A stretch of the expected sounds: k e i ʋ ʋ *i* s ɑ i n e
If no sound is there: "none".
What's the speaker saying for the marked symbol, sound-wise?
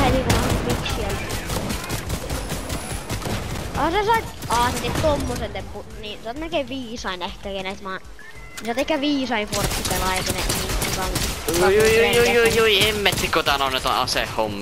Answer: iː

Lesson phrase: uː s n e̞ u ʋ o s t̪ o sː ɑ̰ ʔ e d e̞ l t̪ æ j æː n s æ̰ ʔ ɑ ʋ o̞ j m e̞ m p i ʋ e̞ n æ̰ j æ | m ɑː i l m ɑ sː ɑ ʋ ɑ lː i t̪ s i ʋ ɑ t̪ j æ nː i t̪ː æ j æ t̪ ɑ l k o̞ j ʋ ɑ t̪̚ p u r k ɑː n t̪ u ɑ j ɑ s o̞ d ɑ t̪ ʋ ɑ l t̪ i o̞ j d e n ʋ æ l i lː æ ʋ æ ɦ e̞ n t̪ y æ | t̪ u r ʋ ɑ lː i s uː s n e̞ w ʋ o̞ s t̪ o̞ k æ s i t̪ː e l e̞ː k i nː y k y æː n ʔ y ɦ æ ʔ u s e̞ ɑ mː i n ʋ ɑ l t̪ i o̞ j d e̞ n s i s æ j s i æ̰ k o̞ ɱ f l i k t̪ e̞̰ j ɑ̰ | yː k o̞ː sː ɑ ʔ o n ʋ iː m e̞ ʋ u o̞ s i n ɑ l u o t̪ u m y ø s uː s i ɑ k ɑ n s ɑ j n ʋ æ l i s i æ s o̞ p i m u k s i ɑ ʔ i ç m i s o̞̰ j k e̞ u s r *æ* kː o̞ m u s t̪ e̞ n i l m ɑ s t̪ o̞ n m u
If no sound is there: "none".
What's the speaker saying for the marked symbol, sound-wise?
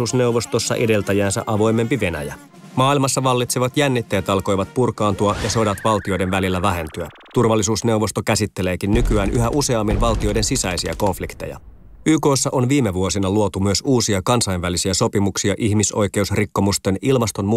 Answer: i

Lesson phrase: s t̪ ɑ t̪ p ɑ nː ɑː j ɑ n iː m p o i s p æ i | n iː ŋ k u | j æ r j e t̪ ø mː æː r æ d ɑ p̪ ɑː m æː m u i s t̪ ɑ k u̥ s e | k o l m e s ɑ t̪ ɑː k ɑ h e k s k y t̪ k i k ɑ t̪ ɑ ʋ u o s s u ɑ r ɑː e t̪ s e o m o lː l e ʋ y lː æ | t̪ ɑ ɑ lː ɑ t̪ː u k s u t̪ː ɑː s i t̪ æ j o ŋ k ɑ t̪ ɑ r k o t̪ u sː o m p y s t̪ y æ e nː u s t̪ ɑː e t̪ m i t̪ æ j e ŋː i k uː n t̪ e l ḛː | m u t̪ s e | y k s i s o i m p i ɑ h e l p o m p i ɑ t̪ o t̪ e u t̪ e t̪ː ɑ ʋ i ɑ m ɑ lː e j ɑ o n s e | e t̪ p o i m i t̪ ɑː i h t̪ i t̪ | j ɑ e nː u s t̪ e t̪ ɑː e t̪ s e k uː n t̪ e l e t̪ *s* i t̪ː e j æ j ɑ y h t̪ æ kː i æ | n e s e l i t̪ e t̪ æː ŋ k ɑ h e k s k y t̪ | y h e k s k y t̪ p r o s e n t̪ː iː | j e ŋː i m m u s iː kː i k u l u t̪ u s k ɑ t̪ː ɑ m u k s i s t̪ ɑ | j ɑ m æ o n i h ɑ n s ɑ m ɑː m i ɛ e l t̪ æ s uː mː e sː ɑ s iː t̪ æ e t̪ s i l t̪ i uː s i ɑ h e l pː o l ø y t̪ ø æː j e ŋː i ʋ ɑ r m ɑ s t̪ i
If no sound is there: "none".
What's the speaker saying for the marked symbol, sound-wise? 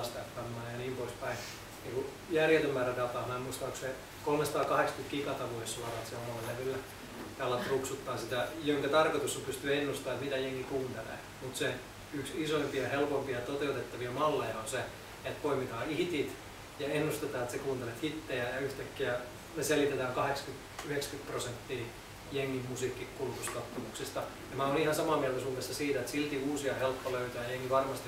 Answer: h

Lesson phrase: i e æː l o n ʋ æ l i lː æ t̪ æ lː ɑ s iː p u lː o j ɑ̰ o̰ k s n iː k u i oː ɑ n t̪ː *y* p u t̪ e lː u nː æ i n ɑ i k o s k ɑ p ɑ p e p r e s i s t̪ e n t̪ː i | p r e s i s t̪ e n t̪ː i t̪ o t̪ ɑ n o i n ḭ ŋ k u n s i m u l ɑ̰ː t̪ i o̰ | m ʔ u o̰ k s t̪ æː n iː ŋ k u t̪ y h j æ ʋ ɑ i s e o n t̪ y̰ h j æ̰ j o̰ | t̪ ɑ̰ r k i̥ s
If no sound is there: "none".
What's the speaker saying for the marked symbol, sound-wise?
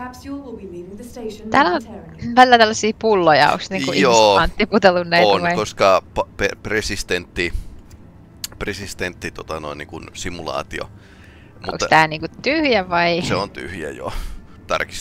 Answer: i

